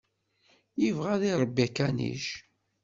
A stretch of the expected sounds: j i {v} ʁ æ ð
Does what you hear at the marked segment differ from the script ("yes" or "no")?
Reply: no